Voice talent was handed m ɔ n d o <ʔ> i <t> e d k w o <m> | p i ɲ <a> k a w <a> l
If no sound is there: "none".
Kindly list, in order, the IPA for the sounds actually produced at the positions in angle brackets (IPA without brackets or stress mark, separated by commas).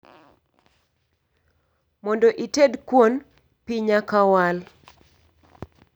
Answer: ʔ, t, n, a, a